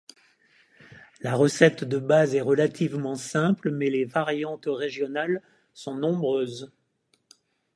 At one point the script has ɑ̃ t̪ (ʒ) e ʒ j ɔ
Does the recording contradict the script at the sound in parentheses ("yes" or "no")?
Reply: yes